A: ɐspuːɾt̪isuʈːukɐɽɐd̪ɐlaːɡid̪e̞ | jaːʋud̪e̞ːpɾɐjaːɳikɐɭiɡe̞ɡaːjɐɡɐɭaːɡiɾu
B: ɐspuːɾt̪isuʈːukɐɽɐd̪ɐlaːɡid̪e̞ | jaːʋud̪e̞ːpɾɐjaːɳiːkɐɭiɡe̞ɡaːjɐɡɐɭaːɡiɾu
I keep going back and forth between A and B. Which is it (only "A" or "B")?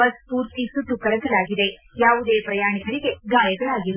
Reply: A